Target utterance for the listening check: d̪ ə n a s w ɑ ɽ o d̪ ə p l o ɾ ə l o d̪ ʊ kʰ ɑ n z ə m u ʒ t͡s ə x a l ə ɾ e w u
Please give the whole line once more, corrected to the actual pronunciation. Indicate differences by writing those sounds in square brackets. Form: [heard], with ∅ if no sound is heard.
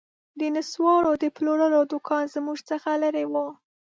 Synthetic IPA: d̪ ə n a s w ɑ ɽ o d̪ ə p l o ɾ ə l o d̪ ʊ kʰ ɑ n z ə m u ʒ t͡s ə x a l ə ɾ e w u

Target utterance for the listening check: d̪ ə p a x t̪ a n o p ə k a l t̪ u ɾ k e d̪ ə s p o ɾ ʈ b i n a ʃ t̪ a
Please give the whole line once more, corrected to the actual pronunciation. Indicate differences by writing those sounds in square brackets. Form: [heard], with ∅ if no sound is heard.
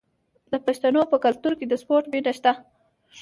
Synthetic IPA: d̪ ə p a [ʃ] t̪ a n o p ə k a l t̪ u ɾ k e d̪ ə s p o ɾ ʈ b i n a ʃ t̪ a

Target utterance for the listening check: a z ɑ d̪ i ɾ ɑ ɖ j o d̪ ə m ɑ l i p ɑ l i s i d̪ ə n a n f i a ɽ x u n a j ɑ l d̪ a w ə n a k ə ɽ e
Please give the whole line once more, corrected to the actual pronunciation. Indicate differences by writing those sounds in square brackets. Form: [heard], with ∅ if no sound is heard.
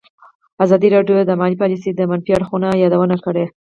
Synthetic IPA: a z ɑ d̪ i ɾ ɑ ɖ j o d̪ ə m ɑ l i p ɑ l i s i d̪ ə [m] a n f i a ɽ x u n a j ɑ [∅] d̪ a w ə n a k ə ɽ e

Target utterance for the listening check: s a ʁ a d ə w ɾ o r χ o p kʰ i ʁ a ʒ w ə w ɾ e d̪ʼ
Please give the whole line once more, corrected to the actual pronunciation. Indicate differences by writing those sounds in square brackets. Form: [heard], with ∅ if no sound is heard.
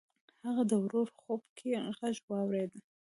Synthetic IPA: [h] a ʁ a d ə w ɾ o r χ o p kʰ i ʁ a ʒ w [ɑ] w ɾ e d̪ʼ

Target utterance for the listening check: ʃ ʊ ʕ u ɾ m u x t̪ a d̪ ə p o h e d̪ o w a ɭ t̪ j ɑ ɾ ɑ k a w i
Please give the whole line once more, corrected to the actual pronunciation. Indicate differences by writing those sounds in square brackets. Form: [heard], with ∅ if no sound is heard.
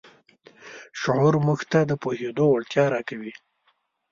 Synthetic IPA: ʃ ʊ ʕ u ɾ m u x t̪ a d̪ ə p o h e d̪ o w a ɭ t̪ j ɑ ɾ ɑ k a w i

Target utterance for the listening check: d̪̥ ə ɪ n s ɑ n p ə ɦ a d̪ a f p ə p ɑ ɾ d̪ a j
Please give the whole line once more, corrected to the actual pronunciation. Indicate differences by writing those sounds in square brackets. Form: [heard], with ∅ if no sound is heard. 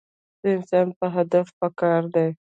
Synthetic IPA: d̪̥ ə ɪ n s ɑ n p ə ɦ a d̪ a f p ə [k] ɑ ɾ d̪ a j

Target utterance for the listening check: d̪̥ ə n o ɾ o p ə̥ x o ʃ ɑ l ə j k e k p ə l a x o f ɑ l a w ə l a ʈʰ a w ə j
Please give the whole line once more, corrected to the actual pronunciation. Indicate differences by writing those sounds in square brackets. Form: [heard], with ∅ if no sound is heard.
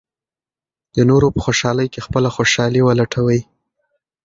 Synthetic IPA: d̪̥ ə n o ɾ o p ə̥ x o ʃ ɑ l ə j k e [x] p ə l a x o [ʃ] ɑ l [i] w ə l a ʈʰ a w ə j

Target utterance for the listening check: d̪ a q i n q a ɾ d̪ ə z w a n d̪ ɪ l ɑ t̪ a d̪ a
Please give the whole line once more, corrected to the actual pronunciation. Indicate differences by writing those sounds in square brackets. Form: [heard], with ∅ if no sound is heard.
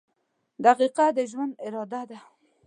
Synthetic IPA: d̪ a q i [∅] q a [∅] d̪ ə [ʒ] w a n d̪ ɪ [ɾ] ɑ [d̪] a d̪ a

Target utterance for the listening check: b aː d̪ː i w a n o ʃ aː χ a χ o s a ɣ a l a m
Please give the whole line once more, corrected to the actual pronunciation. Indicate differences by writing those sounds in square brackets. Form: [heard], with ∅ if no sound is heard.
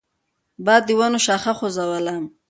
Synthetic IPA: b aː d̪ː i w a n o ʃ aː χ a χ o [z] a [w] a l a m

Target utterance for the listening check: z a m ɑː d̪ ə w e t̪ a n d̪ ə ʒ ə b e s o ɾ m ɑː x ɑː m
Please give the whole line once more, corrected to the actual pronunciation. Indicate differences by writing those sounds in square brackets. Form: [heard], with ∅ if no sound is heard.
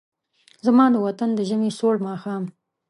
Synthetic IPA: z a m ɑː d̪ ə w [a] t̪ a n d̪ ə ʒ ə [m] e s o [ɽ] m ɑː x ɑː m

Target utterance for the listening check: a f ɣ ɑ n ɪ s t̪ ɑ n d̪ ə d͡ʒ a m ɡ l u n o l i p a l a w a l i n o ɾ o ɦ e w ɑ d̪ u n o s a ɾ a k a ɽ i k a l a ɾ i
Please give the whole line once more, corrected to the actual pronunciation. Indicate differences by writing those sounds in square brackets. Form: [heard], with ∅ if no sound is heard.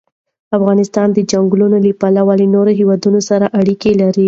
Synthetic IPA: a f ɣ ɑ n ɪ s t̪ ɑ n d̪ ə d͡ʒ a [ŋ] ɡ l u n o l i p a l a w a l i n o ɾ o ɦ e w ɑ d̪ u n o s a ɾ a [ʔ] a ɽ i k [e] l a ɾ i

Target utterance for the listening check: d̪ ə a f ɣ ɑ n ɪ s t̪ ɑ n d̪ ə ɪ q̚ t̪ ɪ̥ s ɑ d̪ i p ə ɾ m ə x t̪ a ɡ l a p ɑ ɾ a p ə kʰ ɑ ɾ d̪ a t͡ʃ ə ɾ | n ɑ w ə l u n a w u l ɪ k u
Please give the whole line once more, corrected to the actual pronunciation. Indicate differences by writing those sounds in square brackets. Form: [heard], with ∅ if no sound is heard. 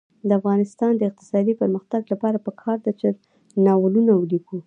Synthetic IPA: d̪ ə a f ɣ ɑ n ɪ s t̪ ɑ n d̪ ə ɪ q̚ t̪ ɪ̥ s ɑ d̪ i p ə ɾ m ə x t̪ a ɡ l a p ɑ ɾ a p ə kʰ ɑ ɾ d̪ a t͡ʃ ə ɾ | n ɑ w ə l u n a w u l [i] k u

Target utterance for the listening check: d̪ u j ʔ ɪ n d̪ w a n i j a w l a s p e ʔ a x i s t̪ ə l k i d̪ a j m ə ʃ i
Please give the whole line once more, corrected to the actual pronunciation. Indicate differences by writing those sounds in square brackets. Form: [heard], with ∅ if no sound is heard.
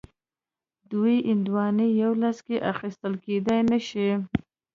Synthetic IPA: d̪ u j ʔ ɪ n d̪ w [ɑ] n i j a w l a s [k] e ʔ a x i s t̪ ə l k [e] d̪ a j [n] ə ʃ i

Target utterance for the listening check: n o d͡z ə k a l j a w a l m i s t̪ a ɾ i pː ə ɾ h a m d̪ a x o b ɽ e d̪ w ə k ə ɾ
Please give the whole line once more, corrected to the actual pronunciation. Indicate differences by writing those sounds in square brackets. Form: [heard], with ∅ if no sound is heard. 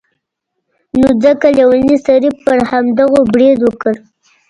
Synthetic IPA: n o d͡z ə k a l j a w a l [n] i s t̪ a ɾ i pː ə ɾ h a m d̪ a [ɣ] o b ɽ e d̪ w ə k ə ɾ

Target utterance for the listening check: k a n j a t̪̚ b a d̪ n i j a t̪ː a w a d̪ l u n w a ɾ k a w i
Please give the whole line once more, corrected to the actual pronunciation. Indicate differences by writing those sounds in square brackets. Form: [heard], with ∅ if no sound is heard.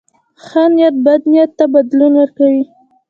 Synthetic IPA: [x] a n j a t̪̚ b a d̪ n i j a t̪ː a [b] a d̪ l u n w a ɾ k a w i

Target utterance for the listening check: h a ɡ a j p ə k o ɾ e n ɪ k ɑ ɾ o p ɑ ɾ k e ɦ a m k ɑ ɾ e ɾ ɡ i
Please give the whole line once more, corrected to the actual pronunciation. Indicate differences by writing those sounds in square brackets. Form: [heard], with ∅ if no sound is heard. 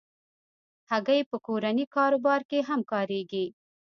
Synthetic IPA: h a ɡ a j p ə k o ɾ [a] n [i] k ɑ ɾ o [b] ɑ ɾ k e ɦ a m k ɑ ɾ e [∅] ɡ i

